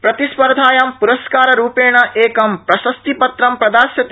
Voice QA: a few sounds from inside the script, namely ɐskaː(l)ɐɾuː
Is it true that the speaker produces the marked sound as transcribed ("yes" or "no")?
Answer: no